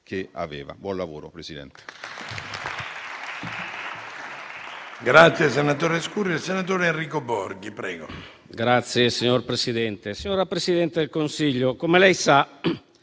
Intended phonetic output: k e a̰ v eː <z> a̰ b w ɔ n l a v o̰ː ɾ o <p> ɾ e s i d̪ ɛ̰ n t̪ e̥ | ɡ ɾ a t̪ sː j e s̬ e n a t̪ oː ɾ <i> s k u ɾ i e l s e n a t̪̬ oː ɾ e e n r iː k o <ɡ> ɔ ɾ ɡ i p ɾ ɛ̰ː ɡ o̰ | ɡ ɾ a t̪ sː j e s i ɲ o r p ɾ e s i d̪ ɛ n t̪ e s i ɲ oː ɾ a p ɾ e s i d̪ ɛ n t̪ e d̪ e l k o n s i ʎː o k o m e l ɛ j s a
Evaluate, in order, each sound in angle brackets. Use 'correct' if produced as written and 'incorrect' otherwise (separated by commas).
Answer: incorrect, correct, incorrect, incorrect